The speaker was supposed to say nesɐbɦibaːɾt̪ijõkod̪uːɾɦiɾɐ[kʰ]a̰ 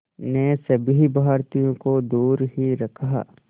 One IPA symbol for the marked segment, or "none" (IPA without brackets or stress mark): kʰ